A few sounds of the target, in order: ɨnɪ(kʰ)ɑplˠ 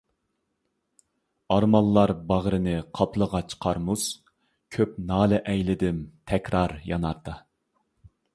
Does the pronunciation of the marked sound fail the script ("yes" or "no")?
yes